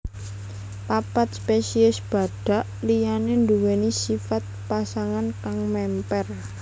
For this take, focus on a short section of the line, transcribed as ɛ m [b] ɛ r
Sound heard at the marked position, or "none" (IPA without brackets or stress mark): p